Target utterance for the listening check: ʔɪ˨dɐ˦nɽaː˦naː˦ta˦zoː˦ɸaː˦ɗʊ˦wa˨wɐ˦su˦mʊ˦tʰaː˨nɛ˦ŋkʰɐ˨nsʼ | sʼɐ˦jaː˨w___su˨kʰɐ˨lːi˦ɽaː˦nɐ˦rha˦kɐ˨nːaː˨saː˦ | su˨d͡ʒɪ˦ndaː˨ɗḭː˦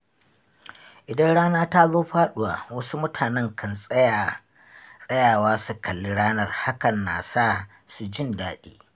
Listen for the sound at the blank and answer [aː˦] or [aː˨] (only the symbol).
aː˦